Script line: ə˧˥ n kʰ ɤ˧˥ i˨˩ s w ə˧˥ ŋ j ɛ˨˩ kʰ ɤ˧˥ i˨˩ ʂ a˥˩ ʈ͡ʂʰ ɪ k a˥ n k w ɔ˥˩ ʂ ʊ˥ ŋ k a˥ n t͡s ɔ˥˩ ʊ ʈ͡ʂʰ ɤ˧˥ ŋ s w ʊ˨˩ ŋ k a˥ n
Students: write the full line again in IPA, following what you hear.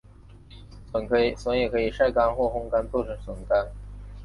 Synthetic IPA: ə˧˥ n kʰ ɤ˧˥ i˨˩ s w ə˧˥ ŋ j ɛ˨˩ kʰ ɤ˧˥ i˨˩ ʂ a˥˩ ɪ k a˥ n x w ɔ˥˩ x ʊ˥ ŋ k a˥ n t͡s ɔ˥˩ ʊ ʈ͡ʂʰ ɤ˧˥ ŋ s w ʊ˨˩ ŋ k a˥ n